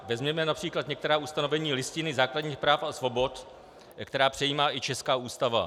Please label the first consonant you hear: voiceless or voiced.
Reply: voiced